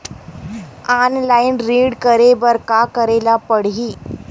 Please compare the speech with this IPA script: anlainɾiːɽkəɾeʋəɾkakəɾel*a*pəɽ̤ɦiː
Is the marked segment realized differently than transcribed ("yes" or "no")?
no